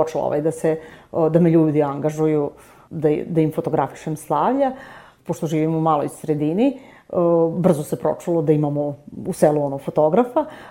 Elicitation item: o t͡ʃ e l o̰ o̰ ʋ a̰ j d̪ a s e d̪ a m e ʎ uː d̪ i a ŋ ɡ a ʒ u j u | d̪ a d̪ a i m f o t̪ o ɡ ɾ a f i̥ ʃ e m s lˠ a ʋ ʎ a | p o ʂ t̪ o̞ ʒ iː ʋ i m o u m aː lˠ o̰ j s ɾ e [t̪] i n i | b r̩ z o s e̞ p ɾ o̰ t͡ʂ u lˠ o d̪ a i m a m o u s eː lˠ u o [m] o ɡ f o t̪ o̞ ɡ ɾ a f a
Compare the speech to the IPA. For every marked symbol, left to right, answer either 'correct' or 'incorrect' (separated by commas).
incorrect, incorrect